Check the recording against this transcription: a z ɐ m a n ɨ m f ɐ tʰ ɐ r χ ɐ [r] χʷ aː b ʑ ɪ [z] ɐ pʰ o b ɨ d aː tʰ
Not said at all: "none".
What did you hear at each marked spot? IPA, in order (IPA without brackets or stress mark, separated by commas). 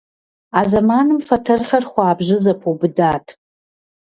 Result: r, z